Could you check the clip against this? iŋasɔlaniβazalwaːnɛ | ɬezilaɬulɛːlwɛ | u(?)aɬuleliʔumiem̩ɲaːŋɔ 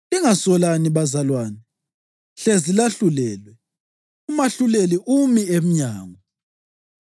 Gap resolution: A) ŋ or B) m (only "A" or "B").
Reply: B